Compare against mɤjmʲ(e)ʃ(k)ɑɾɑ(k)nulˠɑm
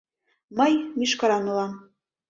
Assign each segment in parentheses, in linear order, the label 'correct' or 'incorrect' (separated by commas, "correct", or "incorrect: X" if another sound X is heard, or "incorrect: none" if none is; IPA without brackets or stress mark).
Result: incorrect: i, correct, incorrect: none